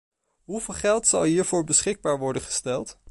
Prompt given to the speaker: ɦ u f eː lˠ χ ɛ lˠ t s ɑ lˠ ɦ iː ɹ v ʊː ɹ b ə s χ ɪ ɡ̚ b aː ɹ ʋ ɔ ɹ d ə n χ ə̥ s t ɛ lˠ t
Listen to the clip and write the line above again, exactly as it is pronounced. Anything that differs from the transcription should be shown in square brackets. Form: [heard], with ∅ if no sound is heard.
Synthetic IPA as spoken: ɦ u [v] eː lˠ χ ɛ lˠ t s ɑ lˠ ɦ iː ɹ v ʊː ɹ b ə s χ ɪ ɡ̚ b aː ɹ ʋ ɔ ɹ d ə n χ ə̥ s t ɛ lˠ t